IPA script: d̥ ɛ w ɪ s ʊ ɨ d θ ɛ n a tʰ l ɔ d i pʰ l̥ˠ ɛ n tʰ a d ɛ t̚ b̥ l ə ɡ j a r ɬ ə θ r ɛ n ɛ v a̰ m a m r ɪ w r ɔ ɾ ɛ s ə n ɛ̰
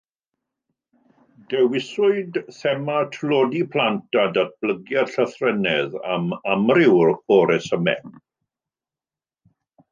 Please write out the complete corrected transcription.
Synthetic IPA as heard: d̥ ɛ w ɪ s ʊ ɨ d θ ɛ m a tʰ l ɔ d i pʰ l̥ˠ a n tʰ a d a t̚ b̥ l ə ɡ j a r ɬ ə θ r ɛ n ɛ ð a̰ m a m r ɪ w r ɔ ɾ ɛ s ə m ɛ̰